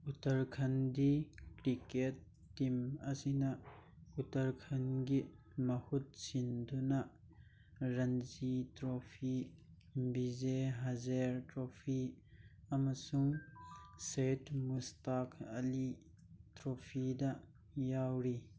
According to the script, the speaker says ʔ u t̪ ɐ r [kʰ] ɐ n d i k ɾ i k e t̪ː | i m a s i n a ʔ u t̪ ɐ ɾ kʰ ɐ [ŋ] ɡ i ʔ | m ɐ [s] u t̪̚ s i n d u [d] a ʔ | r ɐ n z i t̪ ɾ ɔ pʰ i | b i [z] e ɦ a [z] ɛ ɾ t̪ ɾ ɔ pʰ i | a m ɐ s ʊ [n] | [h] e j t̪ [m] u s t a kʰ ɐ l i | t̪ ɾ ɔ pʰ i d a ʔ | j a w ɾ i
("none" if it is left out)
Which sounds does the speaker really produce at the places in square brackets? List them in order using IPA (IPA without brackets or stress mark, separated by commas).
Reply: kʰ, n, h, n, z, z, ŋ, s, m